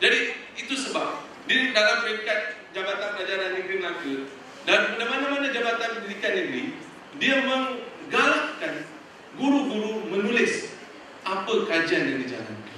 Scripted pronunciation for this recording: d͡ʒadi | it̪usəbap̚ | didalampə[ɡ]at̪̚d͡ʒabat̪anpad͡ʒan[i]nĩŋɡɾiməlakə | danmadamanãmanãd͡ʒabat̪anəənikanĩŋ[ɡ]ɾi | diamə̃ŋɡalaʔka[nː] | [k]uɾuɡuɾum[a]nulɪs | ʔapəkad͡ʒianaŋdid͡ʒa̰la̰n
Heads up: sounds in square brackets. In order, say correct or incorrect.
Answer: incorrect: k, incorrect: a, correct, incorrect: n, incorrect: ɡ, incorrect: ə

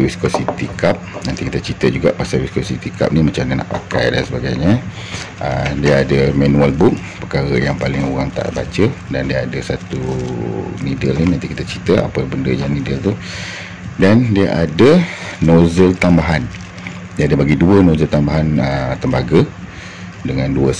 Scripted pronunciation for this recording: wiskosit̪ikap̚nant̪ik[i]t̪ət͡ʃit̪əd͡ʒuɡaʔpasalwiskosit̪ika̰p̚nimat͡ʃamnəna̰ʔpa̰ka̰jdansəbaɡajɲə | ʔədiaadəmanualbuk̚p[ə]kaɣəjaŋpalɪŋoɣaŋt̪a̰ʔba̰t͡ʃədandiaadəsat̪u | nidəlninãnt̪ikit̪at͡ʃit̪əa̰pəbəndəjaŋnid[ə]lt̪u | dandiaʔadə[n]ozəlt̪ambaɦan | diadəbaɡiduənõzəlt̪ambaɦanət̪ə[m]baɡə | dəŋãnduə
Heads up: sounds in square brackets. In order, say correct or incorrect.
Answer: correct, correct, correct, correct, correct

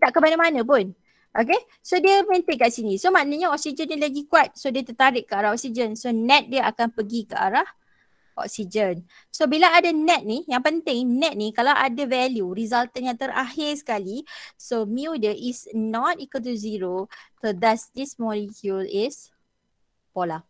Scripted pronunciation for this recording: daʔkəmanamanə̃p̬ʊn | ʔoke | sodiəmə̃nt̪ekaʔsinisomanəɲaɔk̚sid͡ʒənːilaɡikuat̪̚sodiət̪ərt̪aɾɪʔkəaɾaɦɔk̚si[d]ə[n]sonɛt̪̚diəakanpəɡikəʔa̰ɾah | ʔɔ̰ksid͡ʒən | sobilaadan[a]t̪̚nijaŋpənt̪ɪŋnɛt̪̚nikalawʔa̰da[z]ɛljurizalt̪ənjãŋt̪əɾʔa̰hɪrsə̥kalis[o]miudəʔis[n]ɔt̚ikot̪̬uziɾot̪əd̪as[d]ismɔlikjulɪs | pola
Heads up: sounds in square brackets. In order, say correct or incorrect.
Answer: incorrect: d͡ʒ, correct, incorrect: ɛ, incorrect: v, correct, correct, correct

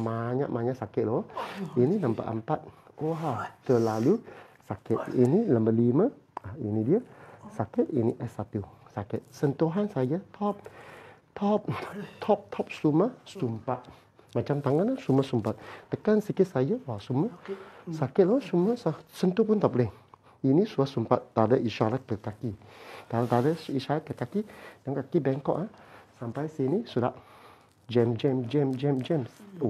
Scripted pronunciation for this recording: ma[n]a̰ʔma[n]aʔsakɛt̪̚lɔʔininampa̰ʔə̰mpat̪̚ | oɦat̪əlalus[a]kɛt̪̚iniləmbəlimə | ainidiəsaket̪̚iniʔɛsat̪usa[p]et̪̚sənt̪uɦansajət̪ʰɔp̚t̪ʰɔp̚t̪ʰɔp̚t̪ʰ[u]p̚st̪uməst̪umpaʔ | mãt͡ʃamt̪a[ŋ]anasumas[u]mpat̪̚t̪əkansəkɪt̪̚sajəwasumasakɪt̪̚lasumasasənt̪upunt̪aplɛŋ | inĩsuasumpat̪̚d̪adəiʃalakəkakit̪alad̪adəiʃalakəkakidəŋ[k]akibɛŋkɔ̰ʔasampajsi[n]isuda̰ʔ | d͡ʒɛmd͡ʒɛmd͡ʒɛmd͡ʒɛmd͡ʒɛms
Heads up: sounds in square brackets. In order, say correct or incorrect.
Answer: incorrect: ɲ, incorrect: ɲ, correct, incorrect: k, incorrect: ɔ, correct, correct, correct, correct

